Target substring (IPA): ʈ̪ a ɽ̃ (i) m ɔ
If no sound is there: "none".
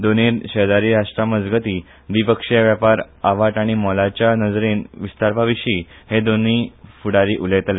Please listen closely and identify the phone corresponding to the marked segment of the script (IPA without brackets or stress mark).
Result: i